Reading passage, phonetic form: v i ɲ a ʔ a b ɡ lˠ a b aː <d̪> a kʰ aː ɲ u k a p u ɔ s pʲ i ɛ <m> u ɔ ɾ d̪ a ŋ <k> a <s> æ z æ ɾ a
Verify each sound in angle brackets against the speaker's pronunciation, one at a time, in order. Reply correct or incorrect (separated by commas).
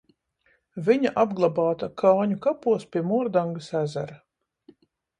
incorrect, correct, incorrect, correct